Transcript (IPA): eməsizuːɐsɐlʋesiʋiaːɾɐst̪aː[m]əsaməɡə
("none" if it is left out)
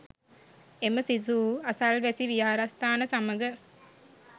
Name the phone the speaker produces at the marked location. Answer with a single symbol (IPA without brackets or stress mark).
n